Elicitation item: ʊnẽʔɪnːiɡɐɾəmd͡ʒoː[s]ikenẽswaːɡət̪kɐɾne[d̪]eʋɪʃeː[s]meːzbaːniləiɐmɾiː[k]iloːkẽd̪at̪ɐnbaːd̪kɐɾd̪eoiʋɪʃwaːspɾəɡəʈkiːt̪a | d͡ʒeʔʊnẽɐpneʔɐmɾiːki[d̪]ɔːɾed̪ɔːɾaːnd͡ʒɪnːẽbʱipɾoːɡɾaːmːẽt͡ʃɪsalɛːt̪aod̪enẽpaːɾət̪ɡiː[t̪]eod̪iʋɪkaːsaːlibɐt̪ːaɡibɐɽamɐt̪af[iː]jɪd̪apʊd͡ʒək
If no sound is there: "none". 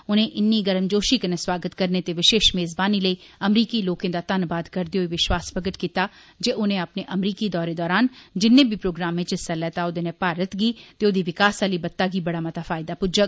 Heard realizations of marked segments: ʃ, t̪, ʃ, k, d̪, t̪, aː

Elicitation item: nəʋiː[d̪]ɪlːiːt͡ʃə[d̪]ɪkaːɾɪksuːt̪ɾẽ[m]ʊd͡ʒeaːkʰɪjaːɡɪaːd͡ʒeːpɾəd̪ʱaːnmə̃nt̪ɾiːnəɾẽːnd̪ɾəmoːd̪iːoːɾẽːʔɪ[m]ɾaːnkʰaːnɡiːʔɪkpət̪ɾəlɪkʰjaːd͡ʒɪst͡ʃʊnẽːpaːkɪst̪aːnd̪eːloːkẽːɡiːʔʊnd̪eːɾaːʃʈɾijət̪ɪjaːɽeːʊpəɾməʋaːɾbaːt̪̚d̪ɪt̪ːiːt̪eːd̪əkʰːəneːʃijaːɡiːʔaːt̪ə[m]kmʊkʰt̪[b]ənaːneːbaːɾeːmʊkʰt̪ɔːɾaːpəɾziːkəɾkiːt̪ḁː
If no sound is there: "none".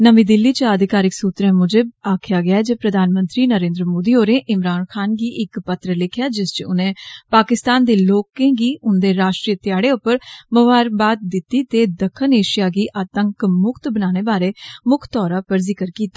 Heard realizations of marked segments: d̪, d̪, m, m, ŋ, b

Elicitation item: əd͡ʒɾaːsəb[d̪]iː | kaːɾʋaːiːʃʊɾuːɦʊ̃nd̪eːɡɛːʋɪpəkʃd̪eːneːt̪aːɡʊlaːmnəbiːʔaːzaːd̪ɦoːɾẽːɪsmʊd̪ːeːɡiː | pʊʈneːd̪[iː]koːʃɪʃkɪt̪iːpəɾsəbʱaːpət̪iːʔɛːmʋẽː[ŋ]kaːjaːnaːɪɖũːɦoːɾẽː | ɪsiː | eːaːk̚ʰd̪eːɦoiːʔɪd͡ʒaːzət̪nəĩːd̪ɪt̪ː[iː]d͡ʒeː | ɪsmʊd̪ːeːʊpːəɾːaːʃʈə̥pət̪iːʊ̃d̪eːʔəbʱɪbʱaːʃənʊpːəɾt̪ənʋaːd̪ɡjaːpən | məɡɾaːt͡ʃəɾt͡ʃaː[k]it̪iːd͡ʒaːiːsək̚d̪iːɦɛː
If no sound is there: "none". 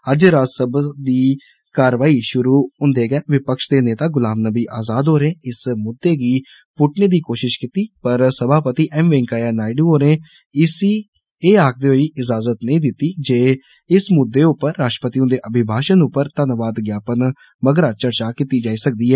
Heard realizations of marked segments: d̪, iː, ŋ, iː, k

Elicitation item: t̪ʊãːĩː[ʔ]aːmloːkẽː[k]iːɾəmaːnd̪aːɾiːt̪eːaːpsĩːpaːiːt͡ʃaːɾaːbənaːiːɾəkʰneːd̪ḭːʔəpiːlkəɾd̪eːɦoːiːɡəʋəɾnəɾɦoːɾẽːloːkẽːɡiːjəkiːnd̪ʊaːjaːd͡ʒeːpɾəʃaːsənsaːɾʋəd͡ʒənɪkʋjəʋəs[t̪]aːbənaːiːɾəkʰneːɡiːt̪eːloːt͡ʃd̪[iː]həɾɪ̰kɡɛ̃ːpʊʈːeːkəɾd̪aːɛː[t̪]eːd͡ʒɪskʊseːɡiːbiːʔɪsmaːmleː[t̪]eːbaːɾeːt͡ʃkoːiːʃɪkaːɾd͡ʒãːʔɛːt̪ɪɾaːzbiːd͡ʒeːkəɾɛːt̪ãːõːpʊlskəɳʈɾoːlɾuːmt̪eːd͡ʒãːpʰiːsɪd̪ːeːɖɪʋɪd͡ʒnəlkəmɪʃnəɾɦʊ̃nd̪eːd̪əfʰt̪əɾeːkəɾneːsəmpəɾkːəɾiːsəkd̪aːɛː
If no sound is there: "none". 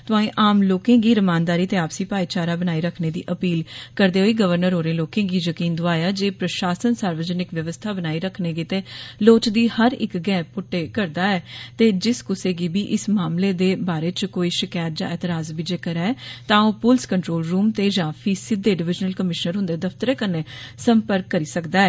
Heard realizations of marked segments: ʔ, ɡ, t̪ʰ, iː, t̪, d̪

